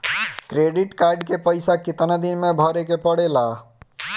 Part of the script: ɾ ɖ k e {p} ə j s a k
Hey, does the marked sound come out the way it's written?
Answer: yes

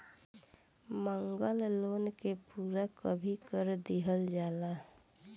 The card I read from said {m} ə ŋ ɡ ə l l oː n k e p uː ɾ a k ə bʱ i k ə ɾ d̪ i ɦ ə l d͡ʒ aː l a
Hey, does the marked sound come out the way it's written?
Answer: yes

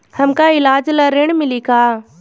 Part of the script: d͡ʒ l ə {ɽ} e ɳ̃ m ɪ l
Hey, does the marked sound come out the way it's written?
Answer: no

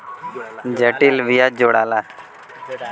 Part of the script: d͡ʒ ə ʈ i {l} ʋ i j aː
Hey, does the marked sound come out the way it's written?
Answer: yes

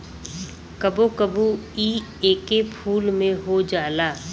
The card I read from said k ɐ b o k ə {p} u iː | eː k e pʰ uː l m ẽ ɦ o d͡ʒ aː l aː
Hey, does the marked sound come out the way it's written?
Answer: no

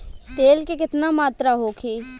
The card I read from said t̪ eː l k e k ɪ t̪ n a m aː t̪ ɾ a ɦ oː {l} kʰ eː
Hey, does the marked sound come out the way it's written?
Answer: no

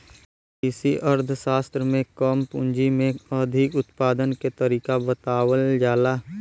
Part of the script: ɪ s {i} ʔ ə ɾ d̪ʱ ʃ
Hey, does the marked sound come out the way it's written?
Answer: yes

